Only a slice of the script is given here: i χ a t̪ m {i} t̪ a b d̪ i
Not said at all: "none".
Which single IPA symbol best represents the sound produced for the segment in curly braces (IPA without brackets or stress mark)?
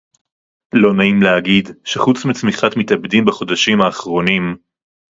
i